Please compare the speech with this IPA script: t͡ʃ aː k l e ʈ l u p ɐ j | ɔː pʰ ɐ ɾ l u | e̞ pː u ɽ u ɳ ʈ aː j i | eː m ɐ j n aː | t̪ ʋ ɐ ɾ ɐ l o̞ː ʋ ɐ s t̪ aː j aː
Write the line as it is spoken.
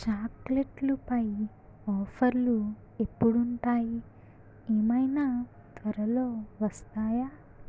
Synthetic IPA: t͡ʃ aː k l e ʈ l u p ɐ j | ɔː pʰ ɐ ɾ l u | e̞ pː u ɽ u ɳ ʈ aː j i | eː m ɐ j n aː | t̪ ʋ ɐ ɾ ɐ l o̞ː ʋ ɐ s t̪ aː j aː